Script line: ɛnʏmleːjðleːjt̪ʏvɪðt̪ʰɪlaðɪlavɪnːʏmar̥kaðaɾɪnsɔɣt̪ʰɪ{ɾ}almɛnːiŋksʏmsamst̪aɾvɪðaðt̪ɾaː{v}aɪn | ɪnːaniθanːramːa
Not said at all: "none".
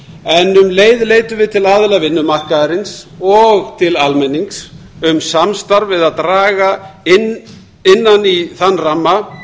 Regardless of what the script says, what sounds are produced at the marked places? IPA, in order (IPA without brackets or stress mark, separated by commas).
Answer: l, ɣ